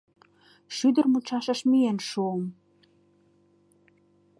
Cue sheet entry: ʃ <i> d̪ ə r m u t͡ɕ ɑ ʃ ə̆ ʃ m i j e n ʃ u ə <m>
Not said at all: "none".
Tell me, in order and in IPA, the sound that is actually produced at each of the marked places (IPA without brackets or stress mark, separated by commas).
y, m